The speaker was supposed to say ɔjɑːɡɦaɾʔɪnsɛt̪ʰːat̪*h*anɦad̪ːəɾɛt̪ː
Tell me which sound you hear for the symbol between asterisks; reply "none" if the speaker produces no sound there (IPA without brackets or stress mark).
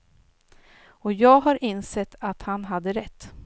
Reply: h